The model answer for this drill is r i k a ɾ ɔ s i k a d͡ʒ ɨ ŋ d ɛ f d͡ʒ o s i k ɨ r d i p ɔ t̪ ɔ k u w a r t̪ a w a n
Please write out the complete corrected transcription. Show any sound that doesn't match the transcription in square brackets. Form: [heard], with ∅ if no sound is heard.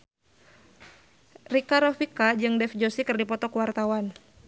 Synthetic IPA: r i k a ɾ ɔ [f] i k a d͡ʒ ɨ ŋ d ɛ f d͡ʒ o s i k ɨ r d i p ɔ t̪ ɔ k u w a r t̪ a w a n